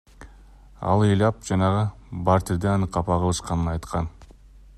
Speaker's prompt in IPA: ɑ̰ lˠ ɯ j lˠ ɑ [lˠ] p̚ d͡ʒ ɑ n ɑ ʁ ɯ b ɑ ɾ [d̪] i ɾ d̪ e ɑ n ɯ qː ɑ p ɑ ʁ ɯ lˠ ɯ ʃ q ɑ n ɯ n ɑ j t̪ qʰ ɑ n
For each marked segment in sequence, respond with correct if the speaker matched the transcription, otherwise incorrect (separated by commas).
incorrect, incorrect